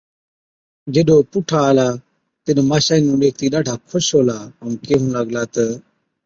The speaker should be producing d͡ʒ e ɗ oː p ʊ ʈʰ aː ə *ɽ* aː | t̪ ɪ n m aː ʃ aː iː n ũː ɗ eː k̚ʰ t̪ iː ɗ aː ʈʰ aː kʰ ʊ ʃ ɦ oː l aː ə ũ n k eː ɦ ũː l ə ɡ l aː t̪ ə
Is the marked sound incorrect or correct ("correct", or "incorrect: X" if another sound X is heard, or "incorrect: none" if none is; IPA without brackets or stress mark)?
incorrect: l